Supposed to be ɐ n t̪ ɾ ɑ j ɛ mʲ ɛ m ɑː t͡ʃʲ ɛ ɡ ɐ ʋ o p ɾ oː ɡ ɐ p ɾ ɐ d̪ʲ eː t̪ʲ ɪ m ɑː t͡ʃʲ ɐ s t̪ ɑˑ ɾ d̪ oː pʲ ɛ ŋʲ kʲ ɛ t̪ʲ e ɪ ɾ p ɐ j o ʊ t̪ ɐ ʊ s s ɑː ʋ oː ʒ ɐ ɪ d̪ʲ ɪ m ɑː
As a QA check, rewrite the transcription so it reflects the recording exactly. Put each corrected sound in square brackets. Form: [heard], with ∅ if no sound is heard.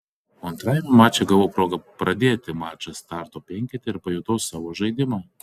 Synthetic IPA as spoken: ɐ n t̪ ɾ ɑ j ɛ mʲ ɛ m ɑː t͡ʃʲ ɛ ɡ ɐ ʋ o p ɾ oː ɡ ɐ p ɾ ɐ d̪ʲ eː t̪ʲ ɪ m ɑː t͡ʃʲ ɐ s t̪ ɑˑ ɾ [t̪] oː pʲ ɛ ŋʲ kʲ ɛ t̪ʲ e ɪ ɾ p ɐ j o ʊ t̪ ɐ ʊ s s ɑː ʋ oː ʒ ɐ ɪ d̪ʲ ɪ m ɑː